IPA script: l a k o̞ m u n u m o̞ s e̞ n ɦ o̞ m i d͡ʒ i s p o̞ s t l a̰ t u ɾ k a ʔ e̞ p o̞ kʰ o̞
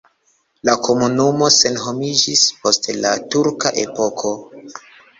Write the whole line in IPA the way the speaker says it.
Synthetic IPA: l a k o̞ m u n u m o̞ s e̞ n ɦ o̞ m i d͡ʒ i s p o̞ s t l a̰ t u ɾ k a ʔ e̞ p o̞ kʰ o̞